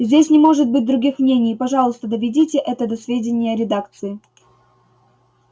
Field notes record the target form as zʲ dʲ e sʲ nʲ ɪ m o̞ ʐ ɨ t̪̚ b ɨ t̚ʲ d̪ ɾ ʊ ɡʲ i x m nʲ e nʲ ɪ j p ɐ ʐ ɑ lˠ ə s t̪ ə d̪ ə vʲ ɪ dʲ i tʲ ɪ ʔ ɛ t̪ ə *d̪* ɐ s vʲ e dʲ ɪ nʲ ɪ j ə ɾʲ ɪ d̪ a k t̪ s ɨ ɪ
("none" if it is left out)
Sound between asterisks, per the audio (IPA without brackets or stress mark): d̪